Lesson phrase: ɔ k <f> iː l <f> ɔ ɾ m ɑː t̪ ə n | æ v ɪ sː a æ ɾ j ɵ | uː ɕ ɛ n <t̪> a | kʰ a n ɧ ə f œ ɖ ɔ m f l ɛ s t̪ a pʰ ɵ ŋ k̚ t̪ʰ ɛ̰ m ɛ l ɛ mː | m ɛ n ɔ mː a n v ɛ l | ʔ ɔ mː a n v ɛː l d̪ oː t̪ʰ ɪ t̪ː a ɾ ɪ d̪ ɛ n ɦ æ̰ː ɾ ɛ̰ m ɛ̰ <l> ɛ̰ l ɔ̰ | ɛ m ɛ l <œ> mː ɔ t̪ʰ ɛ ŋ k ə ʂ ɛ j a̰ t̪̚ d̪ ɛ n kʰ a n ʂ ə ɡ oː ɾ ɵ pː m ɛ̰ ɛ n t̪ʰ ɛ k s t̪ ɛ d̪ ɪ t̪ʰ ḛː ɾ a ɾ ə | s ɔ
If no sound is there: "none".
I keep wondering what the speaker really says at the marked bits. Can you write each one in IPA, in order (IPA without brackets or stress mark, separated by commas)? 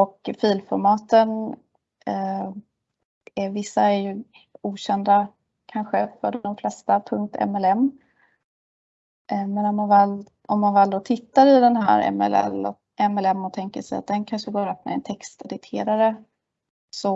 f, f, d̪, l, ɛ